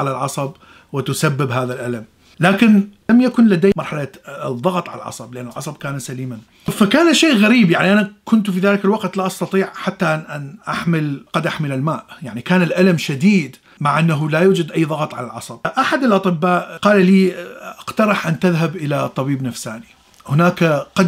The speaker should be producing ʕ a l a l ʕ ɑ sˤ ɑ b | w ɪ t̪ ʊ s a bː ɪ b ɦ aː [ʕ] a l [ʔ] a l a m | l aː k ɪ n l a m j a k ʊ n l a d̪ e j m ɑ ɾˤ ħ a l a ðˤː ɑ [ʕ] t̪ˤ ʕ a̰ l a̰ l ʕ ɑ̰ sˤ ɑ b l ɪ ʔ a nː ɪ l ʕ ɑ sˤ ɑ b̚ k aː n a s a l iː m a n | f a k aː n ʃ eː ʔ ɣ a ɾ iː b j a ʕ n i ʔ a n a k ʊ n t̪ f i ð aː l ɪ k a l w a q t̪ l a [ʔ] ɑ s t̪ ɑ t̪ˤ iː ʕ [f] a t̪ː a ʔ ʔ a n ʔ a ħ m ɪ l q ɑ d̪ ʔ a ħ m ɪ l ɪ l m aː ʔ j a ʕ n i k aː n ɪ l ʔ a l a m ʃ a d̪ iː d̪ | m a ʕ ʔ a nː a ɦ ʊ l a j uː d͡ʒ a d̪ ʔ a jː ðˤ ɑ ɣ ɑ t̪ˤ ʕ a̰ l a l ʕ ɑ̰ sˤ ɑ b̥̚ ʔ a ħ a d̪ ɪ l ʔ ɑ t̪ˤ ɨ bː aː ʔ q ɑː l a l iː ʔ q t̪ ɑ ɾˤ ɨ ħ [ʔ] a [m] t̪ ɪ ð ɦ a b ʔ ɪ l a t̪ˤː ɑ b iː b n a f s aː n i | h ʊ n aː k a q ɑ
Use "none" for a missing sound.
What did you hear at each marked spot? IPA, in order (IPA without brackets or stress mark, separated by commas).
ð, ʔ, ɣ, ʔ, ħ, ʔ, n